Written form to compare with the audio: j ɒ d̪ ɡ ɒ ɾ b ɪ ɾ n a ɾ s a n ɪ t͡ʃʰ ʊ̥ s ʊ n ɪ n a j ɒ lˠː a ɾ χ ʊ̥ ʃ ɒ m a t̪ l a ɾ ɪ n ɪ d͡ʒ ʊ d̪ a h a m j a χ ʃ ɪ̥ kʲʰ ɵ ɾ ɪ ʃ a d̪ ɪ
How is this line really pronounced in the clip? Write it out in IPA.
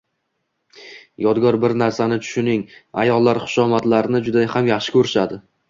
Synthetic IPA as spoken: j ɒ d̪ ɡ ɒ ɾ b ɪ ɾ n a ɾ s a n ɪ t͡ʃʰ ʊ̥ ʃ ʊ n ɪ ŋ a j ɒ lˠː a ɾ χ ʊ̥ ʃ ɒ m a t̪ l a ɾ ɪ n ɪ d͡ʒ ʊ d̪ a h a m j a χ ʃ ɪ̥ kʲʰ ɵ ɾ ɪ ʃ a d̪ ɪ